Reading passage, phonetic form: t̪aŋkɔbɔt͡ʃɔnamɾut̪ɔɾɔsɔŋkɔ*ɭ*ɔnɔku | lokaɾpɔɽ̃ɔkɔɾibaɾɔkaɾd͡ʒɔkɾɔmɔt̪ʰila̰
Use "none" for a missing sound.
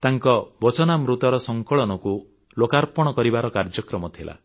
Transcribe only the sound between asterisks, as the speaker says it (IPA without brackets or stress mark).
ɭ